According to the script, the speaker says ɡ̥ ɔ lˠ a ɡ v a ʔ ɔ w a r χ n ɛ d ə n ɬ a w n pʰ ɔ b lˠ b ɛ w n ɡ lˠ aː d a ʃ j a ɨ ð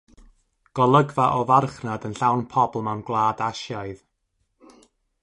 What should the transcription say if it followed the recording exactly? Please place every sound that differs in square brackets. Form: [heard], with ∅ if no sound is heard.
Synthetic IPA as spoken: ɡ̥ ɔ lˠ [ə] ɡ v a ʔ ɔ [v] a r χ n [a] d ə n ɬ a w n pʰ ɔ b lˠ [m] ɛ w n ɡ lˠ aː d a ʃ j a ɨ ð